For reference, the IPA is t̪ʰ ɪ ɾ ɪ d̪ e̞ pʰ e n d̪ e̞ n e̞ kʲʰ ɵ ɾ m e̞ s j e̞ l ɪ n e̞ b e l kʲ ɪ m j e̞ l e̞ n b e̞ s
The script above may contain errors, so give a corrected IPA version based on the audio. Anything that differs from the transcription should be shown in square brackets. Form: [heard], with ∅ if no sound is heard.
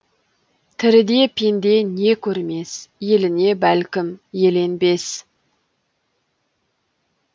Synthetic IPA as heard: t̪ʰ ɪ ɾ ɪ d̪ e̞ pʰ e n d̪ e̞ n e̞ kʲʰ ɵ ɾ m e̞ s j e̞ l ɪ n e̞ b [æ] l kʲ ɪ m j e̞ l e̞ n b e̞ s

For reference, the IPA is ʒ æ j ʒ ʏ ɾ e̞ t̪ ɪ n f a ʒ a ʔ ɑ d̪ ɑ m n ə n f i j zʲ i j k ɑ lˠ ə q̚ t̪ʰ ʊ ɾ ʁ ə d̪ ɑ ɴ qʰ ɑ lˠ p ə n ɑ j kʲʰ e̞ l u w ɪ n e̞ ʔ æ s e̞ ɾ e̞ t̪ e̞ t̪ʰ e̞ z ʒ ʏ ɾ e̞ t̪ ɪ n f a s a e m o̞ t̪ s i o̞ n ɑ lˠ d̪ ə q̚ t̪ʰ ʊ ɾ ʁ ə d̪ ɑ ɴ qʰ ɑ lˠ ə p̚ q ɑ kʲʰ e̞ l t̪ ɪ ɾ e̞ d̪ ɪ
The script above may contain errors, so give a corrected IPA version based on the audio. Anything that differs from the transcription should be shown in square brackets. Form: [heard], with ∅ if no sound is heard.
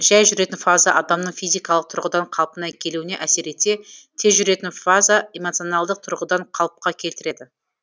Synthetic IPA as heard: ʒ æ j ʒ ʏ ɾ e̞ t̪ ɪ n f a [z] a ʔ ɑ d̪ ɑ m n ə [ɴ] f i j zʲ i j k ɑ lˠ ə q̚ t̪ʰ ʊ ɾ ʁ ə d̪ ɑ ɴ qʰ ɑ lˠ p ə n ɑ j kʲʰ e̞ l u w ɪ n e̞ ʔ æ s e̞ ɾ e̞ t̪ e̞ t̪ʰ e̞ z ʒ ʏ ɾ e̞ t̪ ɪ n f a [z] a e m o̞ t̪ s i o̞ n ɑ lˠ d̪ ə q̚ t̪ʰ ʊ ɾ ʁ ə d̪ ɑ ɴ qʰ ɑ lˠ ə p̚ q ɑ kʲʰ e̞ l t̪ ɪ ɾ e̞ d̪ ɪ

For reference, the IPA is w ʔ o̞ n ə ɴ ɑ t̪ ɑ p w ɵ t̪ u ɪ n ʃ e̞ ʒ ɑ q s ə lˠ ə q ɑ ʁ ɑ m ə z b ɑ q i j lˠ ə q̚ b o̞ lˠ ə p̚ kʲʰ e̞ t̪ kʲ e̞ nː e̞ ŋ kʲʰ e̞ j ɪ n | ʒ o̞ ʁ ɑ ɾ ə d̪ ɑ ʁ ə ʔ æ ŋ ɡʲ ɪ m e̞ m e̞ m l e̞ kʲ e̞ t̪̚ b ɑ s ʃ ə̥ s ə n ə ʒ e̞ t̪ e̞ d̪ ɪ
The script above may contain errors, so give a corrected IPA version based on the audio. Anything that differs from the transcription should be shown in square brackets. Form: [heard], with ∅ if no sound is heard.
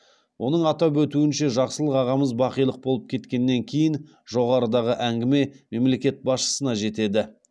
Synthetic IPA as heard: w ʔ o̞ n ə ɴ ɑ t̪ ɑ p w ɵ t̪ u ɪ n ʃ e̞ ʒ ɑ q s ə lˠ ə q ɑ ʁ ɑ m ə z b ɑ q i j lˠ ə q̚ b o̞ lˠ ə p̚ kʲʰ e̞ t̪ kʲ e̞ nː e̞ ŋ kʲʰ e̞ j ɪ n | ʒ o̞ ʁ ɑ ɾ ə d̪ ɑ ʁ ə ʔ æ ŋ ɡʲ ɪ m e̞ m e̞ m l e̞ kʲ e̞ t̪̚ b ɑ s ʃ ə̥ s ə n [ɑ] ʒ e̞ t̪ e̞ d̪ ɪ

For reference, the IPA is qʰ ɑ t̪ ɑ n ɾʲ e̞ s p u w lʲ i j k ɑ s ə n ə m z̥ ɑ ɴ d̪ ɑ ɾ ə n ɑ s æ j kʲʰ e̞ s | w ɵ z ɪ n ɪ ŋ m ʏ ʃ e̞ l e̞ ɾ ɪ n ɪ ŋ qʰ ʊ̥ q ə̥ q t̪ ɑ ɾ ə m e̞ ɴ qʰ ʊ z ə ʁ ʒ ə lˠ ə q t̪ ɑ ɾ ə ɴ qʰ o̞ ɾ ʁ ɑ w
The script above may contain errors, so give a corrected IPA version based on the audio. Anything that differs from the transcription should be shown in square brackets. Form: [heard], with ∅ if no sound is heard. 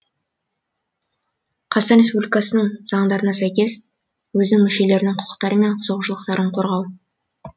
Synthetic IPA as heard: qʰ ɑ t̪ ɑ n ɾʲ e̞ s p u [b] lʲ i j k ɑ s ə n ə [ɴ] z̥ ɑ ɴ d̪ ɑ ɾ ə n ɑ s æ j [kʲ] e̞ s | w ɵ z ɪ n ɪ ŋ m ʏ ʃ e̞ l e̞ ɾ ɪ n ɪ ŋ qʰ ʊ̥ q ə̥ q t̪ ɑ ɾ ə m e̞ ɴ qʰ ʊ z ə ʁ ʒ ə lˠ ə q t̪ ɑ ɾ ə ɴ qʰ o̞ ɾ ʁ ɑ w

